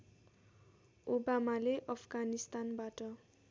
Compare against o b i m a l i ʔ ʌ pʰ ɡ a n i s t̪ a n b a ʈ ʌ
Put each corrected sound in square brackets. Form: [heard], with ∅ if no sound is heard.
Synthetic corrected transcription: o b [a] m a l [e] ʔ ʌ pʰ ɡ a n i s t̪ a n b a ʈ ʌ